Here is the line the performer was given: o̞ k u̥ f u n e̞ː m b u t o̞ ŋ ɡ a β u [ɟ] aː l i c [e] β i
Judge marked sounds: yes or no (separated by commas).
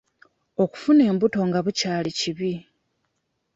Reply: no, no